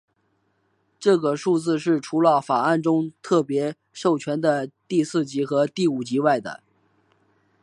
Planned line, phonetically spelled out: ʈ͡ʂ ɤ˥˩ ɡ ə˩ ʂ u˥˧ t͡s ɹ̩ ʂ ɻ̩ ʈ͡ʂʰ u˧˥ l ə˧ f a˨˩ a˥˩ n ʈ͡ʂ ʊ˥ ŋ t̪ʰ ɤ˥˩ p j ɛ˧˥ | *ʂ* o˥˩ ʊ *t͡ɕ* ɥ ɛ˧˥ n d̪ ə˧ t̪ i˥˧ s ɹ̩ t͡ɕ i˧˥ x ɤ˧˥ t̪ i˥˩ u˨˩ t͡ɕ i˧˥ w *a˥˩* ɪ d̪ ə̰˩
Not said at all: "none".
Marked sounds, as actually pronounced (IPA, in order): ʂ, t͡ɕʰ, a˥˩

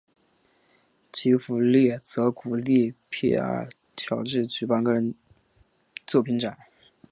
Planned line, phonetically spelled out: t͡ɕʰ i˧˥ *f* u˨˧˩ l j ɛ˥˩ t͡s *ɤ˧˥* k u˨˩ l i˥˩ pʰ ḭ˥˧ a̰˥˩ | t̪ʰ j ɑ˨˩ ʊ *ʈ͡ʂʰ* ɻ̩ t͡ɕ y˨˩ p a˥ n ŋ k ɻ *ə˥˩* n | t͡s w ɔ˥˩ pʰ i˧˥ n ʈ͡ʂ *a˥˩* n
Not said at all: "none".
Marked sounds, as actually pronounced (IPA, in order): f, ɤ˧˥, ʈ͡ʂ, ə˧˥, a˨˩˦

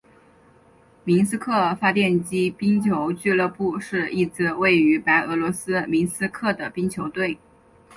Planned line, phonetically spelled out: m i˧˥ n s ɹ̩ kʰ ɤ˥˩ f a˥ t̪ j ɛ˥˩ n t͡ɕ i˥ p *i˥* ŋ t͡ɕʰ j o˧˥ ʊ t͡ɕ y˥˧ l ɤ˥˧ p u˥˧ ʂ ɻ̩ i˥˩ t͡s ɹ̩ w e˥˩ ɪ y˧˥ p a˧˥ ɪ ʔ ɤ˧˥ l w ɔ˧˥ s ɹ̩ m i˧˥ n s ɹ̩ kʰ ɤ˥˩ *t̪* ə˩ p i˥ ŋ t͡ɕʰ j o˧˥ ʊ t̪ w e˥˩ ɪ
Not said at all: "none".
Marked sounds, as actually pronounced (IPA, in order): i˥, d̪

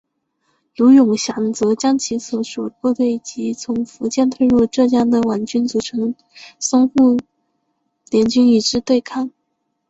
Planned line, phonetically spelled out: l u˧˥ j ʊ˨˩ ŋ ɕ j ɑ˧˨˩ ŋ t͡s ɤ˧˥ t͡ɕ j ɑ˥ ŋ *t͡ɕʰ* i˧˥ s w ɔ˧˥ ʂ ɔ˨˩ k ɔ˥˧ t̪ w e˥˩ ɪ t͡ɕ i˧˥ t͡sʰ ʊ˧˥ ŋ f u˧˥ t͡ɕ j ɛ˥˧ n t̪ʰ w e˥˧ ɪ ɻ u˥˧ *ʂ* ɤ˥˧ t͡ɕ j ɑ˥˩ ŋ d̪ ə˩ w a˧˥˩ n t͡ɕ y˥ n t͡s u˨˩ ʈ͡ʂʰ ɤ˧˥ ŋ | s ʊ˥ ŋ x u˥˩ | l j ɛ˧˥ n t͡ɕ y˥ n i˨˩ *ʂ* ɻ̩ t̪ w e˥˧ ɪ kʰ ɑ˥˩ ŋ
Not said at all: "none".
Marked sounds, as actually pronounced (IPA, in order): t͡ɕʰ, ʈ͡ʂ, ʈ͡ʂ

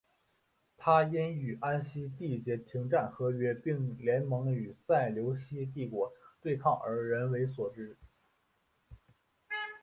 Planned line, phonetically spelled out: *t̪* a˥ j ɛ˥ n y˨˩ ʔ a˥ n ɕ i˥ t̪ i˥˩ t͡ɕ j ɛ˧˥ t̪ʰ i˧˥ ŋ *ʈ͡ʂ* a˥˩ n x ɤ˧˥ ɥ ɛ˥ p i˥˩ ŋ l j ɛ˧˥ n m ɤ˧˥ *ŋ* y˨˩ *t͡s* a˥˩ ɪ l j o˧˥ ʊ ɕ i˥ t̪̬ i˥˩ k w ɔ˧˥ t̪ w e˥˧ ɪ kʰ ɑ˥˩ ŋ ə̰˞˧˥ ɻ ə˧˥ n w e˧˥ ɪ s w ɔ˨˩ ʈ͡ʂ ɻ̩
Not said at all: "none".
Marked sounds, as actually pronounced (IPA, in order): t̪ʰ, ʈ͡ʂ, ŋ, t͡s

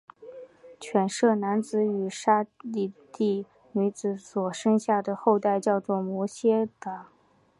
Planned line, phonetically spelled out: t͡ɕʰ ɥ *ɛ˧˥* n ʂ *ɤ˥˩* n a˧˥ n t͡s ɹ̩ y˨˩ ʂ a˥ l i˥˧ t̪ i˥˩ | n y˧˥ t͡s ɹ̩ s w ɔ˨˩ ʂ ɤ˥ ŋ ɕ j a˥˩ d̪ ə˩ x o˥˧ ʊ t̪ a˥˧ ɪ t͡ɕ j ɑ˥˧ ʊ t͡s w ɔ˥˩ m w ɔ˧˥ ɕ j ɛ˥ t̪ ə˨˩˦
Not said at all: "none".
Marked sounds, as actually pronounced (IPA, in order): ɛ˨˩, ɤ˥˩

